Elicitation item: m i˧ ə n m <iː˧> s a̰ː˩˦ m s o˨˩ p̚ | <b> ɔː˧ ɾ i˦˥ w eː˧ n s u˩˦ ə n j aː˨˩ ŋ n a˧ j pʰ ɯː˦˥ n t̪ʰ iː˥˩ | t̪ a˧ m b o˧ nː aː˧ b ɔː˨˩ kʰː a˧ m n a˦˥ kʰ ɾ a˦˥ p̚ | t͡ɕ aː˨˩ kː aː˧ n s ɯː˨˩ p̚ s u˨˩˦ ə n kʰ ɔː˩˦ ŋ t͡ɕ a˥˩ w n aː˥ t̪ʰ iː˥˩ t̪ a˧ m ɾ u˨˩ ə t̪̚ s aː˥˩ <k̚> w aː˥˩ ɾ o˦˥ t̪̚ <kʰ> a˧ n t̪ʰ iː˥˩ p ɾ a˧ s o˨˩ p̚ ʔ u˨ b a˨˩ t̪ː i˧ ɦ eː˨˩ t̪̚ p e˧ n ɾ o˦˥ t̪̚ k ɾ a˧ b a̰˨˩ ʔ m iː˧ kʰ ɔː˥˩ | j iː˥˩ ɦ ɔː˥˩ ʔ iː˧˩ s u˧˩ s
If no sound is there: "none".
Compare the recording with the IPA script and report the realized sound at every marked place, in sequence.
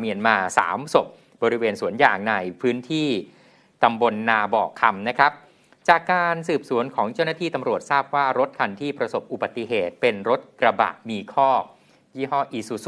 aː˧, b, p̚, kʰ

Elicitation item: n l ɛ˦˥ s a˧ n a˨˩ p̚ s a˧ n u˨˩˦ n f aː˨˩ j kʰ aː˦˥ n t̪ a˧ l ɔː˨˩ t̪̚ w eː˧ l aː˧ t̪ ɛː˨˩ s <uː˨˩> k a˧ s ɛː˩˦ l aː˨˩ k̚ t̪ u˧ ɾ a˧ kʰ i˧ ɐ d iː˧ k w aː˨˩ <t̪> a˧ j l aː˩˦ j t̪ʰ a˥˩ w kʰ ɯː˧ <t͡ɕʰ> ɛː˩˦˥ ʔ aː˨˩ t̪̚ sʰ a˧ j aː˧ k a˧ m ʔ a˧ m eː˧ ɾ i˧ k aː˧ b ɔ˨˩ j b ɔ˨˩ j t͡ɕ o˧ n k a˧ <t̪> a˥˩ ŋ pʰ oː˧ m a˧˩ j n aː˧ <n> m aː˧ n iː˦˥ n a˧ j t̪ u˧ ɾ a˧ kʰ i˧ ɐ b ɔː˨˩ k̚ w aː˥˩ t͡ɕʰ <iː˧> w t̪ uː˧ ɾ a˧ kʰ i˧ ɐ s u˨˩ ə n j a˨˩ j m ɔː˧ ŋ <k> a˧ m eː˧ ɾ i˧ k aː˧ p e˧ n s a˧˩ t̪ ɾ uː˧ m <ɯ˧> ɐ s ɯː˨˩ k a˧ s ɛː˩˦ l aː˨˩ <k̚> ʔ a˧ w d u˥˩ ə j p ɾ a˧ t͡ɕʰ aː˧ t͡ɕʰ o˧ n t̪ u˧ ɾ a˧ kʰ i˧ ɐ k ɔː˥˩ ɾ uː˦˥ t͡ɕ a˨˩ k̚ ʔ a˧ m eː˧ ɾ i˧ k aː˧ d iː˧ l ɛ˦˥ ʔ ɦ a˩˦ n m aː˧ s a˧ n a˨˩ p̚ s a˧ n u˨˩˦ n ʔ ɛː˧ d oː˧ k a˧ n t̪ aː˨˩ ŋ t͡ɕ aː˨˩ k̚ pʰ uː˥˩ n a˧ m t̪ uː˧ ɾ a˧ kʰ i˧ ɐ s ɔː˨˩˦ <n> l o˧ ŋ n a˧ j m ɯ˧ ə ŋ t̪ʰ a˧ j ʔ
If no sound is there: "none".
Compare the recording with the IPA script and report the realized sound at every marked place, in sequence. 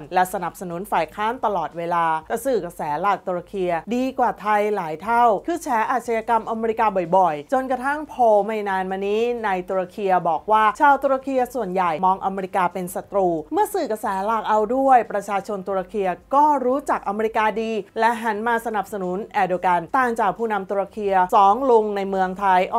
ɯː˨˩, t̪ʰ, t͡ɕʰ, t̪ʰ, n, aː˧, ʔ, ɯ˥˩, k̚, ŋ

